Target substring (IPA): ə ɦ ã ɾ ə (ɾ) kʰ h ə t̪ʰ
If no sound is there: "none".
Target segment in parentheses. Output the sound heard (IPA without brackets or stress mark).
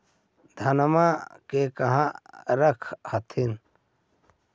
none